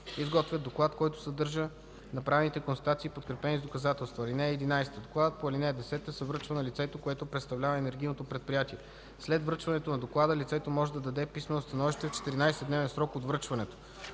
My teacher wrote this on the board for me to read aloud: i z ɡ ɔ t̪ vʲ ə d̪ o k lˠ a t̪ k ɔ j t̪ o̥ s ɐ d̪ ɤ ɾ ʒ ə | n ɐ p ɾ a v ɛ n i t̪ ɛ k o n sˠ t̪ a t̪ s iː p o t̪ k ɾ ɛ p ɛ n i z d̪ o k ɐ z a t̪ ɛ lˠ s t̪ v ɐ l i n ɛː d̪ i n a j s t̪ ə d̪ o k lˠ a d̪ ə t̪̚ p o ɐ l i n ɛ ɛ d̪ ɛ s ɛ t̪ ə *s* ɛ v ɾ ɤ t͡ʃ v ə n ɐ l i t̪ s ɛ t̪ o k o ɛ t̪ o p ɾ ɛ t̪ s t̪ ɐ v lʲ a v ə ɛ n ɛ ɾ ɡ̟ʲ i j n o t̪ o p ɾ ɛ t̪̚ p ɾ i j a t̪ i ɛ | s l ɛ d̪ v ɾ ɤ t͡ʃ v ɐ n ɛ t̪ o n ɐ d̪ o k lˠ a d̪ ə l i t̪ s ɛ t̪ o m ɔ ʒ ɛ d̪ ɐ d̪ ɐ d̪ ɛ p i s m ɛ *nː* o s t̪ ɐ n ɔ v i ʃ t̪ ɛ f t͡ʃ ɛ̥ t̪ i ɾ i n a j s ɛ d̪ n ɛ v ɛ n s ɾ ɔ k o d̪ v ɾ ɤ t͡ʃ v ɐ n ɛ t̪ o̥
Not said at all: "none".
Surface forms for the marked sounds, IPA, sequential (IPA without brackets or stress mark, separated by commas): s, n